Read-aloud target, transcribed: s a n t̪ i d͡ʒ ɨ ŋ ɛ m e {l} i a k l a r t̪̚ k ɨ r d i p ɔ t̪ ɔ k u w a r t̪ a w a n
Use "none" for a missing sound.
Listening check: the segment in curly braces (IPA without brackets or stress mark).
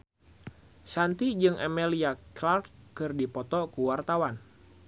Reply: l